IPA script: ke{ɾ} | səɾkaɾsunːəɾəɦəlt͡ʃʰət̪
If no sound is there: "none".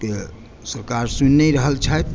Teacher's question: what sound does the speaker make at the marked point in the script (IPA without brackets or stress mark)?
none